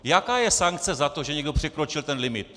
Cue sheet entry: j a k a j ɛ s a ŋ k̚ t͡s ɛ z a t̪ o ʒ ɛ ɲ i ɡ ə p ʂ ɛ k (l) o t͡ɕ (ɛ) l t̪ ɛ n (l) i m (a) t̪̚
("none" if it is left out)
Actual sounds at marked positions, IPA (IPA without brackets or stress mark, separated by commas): ɾ, i, l, i